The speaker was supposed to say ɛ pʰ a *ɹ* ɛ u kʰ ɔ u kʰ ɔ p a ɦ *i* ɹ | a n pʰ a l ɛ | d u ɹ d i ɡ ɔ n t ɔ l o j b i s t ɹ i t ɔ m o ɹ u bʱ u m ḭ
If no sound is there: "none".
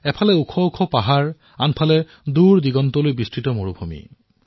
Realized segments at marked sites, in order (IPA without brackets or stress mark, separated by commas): l, a